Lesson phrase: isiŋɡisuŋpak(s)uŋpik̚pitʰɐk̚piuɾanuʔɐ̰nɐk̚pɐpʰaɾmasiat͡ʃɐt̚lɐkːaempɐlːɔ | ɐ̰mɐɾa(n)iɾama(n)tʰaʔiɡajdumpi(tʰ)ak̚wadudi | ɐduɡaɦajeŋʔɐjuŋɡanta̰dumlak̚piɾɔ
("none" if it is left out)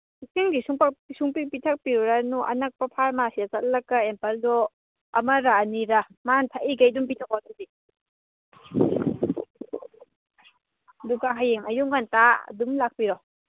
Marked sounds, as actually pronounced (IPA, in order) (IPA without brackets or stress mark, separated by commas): s, n, n, tʰ